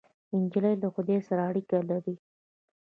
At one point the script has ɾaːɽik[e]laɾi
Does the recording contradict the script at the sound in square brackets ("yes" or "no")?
yes